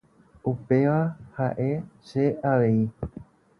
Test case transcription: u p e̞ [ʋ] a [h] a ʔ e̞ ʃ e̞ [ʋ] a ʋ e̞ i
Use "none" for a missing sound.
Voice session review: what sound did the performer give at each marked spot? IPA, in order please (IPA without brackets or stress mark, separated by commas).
ʋ, h, none